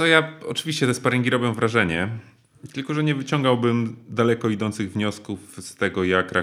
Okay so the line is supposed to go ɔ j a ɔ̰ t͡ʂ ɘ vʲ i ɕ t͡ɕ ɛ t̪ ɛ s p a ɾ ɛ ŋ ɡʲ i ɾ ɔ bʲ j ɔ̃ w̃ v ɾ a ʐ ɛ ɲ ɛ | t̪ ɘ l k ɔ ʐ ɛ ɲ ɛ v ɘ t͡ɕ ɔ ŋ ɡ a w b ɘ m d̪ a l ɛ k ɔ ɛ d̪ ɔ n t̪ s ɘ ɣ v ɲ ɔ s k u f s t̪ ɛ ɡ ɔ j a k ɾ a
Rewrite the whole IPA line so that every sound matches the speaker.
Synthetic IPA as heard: ɔ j a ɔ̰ t͡ʂ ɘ vʲ i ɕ t͡ɕ ɛ t̪ ɛ s p a ɾ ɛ ŋ ɡʲ i ɾ ɔ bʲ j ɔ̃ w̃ v ɾ a ʐ ɛ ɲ ɛ | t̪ ɘ l k ɔ ʐ ɛ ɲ ɛ v ɘ t͡ɕ ɔ ŋ ɡ a w b ɘ m d̪ a l ɛ k ɔ i d̪ ɔ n t̪ s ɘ ɣ v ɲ ɔ s k u f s t̪ ɛ ɡ ɔ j a k ɾ a